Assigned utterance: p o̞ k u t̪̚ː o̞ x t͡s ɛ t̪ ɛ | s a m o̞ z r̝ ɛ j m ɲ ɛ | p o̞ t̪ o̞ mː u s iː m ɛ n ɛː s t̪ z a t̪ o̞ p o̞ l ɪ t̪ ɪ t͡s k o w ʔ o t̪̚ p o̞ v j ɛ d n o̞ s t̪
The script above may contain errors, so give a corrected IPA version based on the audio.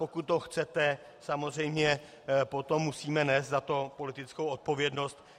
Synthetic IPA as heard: p o̞ k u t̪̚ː o̞ x t͡s ɛ t̪ ɛ | s a m o̞ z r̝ ɛ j m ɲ ɛ | p o̞ t̪ o̞ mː u s iː m ɛ n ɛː s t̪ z a t̪ o̞ p o̞ l ɪ t̪ ɪ t͡s k o w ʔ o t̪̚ p o̞ v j ɛ d n o̞ s t̪